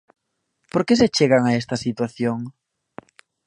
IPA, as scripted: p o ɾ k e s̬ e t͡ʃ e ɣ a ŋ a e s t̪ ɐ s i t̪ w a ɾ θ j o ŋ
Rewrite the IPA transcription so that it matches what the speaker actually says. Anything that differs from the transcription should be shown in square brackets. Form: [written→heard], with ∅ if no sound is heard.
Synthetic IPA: p o ɾ k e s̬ e t͡ʃ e ɣ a ŋ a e s t̪ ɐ s i t̪ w a [ɾ→∅] θ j o ŋ